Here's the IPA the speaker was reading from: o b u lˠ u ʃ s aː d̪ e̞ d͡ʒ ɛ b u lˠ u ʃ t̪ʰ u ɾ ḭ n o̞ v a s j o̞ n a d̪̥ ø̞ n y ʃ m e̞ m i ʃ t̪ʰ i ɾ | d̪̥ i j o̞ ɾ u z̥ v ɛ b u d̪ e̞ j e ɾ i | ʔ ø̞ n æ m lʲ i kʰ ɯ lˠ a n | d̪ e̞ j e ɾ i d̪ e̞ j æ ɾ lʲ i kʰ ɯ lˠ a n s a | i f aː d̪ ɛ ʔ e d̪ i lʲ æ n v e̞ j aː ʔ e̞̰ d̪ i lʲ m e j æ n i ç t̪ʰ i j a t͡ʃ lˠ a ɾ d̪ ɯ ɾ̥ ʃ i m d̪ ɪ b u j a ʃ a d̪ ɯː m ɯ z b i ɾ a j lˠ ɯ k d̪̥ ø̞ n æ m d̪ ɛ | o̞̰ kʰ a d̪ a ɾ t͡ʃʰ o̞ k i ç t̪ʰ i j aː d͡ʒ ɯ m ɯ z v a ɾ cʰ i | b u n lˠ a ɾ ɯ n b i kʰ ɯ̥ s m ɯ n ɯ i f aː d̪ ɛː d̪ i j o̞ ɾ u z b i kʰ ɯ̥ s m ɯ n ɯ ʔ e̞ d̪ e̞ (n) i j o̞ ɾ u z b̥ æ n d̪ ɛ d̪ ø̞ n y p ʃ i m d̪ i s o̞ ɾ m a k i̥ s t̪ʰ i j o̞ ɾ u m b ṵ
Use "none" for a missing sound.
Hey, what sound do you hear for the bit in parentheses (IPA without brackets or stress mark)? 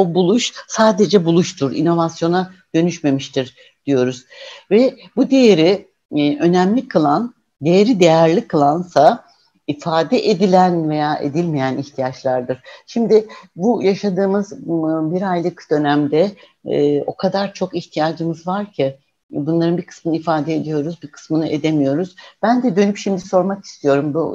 m